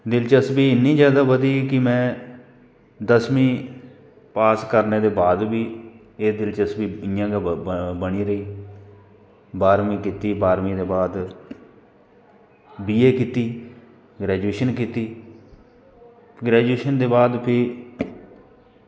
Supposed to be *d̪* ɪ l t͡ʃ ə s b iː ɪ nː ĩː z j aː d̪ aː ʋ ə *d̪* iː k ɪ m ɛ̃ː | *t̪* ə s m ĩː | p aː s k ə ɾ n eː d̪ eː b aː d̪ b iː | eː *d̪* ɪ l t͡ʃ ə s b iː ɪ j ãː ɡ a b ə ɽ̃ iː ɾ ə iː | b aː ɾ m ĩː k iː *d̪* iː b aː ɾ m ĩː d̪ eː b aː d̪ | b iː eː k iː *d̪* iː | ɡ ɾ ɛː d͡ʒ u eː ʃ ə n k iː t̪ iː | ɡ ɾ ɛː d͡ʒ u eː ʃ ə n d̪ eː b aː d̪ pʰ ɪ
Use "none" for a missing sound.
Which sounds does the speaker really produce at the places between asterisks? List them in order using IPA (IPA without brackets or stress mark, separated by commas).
d̪, d̪, d̪, d̪, t̪, t̪